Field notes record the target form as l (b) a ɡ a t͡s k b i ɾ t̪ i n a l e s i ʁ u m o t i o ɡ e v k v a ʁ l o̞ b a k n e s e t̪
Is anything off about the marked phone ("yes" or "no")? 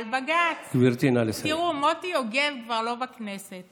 no